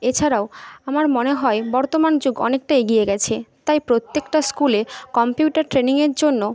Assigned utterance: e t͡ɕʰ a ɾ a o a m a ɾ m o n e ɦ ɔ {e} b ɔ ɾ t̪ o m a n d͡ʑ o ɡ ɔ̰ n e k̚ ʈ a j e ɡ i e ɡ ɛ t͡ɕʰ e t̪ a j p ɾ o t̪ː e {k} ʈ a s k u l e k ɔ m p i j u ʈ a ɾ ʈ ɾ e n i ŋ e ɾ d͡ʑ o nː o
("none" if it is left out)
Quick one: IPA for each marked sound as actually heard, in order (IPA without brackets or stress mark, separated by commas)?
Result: e, k